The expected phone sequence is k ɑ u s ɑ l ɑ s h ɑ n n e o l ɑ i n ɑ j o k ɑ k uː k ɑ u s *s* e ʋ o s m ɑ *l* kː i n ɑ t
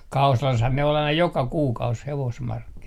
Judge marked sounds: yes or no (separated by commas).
no, no